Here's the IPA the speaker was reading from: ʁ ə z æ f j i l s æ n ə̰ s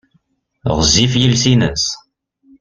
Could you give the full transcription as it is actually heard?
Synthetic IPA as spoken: ʁ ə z i f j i l s i n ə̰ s